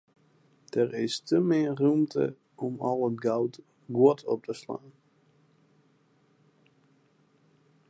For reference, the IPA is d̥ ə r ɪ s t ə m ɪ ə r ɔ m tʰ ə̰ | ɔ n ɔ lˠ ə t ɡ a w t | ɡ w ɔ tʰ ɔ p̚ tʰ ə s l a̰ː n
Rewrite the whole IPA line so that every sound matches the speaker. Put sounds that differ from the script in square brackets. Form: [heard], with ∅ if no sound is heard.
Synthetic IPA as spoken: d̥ ə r ɪ s t ə m ɪ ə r [u] m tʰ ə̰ | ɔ [m] ɔ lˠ ə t ɡ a w t | ɡ w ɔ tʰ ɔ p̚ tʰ ə s l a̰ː n